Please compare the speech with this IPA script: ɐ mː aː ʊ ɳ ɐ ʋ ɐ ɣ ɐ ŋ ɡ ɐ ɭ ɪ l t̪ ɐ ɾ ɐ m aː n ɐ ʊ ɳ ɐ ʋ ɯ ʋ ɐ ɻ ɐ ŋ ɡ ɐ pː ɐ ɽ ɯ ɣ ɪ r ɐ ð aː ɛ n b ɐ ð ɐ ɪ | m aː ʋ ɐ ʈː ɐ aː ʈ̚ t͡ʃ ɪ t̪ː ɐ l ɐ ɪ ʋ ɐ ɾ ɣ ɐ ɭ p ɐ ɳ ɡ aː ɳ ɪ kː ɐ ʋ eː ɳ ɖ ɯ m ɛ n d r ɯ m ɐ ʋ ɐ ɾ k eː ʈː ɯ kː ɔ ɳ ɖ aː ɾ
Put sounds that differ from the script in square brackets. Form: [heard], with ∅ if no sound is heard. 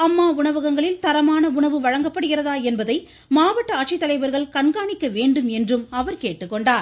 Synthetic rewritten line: ɐ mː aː ʊ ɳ ɐ ʋ ɐ ɣ ɐ ŋ ɡ ɐ ɭ ɪ l t̪ ɐ ɾ ɐ m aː n ɐ ʊ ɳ ɐ ʋ ɯ ʋ ɐ ɻ ɐ ŋ ɡ ɐ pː ɐ ɽ ɯ ɣ ɪ r ɐ ð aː ɛ n b ɐ ð ɐ ɪ | m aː ʋ ɐ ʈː ɐ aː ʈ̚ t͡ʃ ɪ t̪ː ɐ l ɐ ɪ ʋ ɐ ɾ ɣ ɐ ɭ [k] ɐ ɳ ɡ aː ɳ ɪ kː ɐ ʋ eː ɳ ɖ ɯ m ɛ n d r ɯ m ɐ ʋ ɐ ɾ k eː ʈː ɯ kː ɔ ɳ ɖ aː ɾ